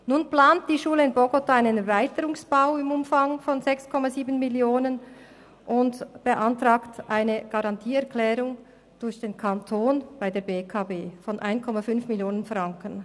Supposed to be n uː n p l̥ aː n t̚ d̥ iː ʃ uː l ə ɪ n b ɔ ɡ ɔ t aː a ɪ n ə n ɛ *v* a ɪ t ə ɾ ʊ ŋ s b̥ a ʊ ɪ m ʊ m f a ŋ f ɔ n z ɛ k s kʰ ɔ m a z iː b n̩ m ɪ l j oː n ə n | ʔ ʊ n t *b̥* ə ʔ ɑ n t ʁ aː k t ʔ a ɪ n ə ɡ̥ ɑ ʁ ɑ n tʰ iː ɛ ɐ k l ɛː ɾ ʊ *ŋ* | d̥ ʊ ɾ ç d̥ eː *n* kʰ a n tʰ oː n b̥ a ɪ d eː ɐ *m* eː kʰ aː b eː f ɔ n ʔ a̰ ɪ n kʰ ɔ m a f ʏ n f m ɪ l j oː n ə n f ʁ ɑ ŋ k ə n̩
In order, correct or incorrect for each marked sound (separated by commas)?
correct, correct, correct, correct, incorrect